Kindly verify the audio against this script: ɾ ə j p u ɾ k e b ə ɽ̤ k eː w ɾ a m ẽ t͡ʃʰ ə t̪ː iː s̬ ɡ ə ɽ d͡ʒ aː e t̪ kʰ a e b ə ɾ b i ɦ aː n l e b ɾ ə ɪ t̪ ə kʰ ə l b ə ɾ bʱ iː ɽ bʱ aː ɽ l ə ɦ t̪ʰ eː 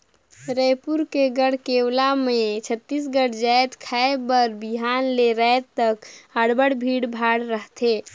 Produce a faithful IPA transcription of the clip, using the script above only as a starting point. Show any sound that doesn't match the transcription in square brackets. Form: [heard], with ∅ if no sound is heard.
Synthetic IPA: ɾ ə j p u ɾ k e [ɡ] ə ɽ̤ k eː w [l] a m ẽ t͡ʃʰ ə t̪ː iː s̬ ɡ ə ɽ d͡ʒ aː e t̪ kʰ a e b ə ɾ b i ɦ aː n l e [∅] ɾ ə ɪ t̪ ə [k] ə [ɽ] b ə [ɽ] bʱ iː ɽ bʱ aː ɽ [ɾ] ə ɦ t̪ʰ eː